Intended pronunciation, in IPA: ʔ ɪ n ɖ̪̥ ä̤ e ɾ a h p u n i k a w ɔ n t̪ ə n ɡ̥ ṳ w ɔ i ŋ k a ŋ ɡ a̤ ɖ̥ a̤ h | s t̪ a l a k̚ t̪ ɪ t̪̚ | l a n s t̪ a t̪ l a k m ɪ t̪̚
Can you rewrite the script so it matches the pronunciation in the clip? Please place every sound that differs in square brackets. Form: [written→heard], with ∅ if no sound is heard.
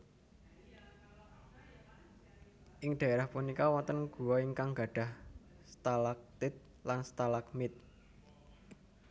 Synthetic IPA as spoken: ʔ ɪ [n→ŋ] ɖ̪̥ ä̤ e ɾ a h p u n i k a w ɔ n t̪ ə n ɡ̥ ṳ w ɔ i ŋ k a ŋ ɡ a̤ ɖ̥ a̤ h | s t̪ a l a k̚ t̪ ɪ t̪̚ | l a n s t̪ a [t̪→∅] l a k m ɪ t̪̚

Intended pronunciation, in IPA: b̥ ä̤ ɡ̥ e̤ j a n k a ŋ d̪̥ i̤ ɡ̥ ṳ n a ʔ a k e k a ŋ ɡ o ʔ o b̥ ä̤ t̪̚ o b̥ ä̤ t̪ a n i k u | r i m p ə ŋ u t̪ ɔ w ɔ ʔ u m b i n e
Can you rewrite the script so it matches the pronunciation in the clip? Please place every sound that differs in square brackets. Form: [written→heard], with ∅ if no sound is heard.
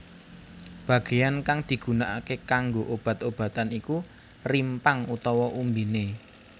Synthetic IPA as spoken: b̥ ä̤ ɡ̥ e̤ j a n k a ŋ d̪̥ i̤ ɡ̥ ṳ n a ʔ a k e k a ŋ ɡ o ʔ o b̥ ä̤ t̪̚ o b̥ ä̤ t̪ a n i k u | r i m p [ə→a] ŋ u t̪ ɔ w ɔ ʔ u m b i n e

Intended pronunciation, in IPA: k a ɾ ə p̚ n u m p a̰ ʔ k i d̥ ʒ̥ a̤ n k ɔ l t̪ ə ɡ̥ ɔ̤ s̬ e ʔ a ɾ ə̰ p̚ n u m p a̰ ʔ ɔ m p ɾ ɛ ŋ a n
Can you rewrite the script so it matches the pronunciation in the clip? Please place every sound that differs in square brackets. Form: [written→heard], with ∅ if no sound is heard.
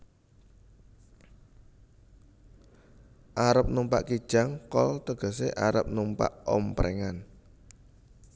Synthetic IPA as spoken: [k→ʔ] a ɾ ə p̚ n u m p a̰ ʔ k i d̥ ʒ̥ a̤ [n→ŋ] k ɔ l t̪ ə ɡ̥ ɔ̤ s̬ e ʔ a ɾ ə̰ p̚ n u m p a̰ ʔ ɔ m p ɾ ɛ ŋ a n

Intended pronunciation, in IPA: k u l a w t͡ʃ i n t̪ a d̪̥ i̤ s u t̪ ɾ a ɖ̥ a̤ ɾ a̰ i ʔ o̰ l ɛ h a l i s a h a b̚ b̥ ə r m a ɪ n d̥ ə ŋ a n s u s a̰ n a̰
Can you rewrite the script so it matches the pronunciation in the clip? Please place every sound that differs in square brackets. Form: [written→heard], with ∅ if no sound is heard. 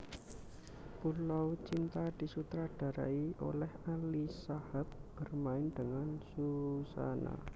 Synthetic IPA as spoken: [k→p] u l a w t͡ʃ i n t̪ a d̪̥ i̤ s u t̪ ɾ a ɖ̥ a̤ ɾ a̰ i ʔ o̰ l ɛ h a l i s a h a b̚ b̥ ə r m a ɪ n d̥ ə ŋ a n s u s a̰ n a̰

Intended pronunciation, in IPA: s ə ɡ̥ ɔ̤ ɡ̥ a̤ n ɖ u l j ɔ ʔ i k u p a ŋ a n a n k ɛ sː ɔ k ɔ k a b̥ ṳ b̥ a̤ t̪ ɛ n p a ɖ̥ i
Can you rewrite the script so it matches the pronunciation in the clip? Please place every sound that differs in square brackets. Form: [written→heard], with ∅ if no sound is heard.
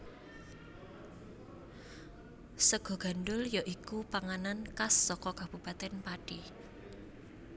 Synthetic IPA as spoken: s ə ɡ̥ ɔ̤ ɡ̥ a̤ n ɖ [u→ʊ] l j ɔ ʔ i k u p a ŋ a n a n k [ɛ→a] sː ɔ k ɔ k a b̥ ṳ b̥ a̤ t̪ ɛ n p a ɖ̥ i

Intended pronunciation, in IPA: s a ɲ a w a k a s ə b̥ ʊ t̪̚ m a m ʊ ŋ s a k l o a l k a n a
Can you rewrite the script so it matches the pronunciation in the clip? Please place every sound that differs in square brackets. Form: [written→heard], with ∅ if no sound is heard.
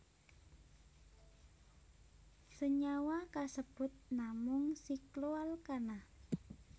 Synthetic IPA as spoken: s [a→ə] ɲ a w a k a s ə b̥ ʊ t̪̚ [m→n] a m ʊ ŋ s [a→i] k l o a l k a n a

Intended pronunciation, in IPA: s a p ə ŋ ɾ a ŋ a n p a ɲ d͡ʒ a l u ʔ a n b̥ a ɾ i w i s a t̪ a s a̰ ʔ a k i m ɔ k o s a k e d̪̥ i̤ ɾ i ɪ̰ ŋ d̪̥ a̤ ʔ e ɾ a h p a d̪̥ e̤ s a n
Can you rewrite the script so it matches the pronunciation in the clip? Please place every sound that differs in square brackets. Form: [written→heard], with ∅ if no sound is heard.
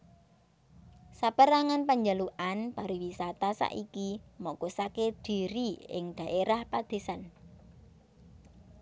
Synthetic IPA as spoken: s a p ə [ŋ→∅] ɾ a ŋ a n p a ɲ d͡ʒ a l u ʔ a n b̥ a ɾ i w i s a t̪ a s a̰ ʔ [a→i] k i m ɔ k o s a k e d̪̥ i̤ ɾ i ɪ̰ ŋ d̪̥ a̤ ʔ e ɾ a h p a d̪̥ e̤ s a n

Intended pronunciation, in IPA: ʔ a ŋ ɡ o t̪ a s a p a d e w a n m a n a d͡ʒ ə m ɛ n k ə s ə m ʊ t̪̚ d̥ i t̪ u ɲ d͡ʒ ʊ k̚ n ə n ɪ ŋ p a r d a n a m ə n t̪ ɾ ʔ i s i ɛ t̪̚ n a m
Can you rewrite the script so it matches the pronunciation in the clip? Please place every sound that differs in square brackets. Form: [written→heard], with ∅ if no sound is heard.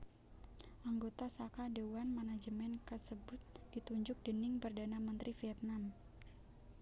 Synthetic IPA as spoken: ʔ a ŋ ɡ o t̪ a s a [p→k] a d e w a n m a n a d͡ʒ ə m ɛ n k ə s ə [m→b] ʊ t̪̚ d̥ i t̪ u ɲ d͡ʒ ʊ k̚ [n→d] ə n ɪ ŋ p [a→ə] r d a n a m ə n t̪ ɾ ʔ i [s→f] i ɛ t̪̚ n a m

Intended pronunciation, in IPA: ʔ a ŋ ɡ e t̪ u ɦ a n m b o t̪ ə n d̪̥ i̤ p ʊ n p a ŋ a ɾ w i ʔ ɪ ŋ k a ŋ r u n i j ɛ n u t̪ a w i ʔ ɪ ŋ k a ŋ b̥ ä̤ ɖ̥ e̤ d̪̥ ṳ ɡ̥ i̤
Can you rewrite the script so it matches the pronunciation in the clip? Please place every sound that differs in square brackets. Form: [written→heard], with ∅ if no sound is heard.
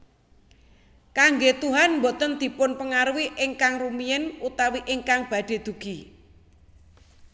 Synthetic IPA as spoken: [ʔ→k] a ŋ ɡ e t̪ u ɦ a n m b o t̪ ə n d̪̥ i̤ p ʊ n p [a→ə] ŋ a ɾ w i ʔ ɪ ŋ k a ŋ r u [n→m] i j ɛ n u t̪ a w i ʔ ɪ ŋ k a ŋ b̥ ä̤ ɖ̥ e̤ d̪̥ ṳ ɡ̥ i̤

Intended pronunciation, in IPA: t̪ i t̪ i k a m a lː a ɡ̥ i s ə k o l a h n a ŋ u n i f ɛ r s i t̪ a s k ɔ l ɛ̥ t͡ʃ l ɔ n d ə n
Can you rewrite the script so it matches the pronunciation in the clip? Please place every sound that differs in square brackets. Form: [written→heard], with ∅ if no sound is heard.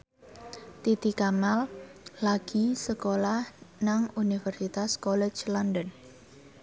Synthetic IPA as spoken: t̪ i t̪ i k a m a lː a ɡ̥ i s ə k o l a h n a ŋ u n i f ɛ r s i t̪ a s k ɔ l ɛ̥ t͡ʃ l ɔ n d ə n

